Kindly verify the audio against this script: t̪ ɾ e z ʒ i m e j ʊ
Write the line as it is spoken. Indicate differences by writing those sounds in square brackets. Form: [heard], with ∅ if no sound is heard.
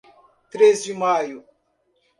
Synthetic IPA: t̪ ɾ e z [d͡ʒ] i m [a] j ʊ